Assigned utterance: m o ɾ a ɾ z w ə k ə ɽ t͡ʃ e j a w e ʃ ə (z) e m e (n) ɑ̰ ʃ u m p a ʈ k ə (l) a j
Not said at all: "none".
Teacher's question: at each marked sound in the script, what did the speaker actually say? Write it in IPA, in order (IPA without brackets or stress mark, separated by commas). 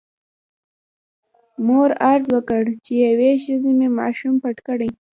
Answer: z, m, ɽ